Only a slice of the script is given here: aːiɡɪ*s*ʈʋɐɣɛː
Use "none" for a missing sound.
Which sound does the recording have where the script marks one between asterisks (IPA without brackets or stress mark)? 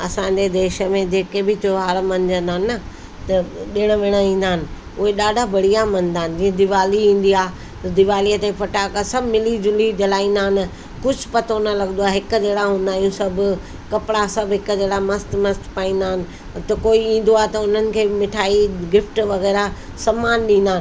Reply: f